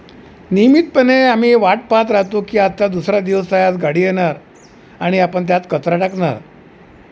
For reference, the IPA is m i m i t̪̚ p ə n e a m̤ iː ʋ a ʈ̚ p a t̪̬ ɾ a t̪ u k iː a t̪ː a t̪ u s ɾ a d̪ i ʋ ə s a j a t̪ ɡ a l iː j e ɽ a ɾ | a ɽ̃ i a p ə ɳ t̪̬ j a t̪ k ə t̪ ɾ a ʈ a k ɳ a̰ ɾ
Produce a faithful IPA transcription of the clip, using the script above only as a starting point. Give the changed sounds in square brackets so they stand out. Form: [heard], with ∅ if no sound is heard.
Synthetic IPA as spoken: [n] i m i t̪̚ p ə n e a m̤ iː ʋ a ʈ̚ p a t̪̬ ɾ a t̪ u k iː a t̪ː a [d̪] u s ɾ a d̪ i ʋ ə s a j a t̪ ɡ a [ɽ] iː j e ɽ a ɾ | a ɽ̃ i a p ə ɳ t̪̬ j a t̪ k ə t̪ ɾ a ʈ a k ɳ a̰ ɾ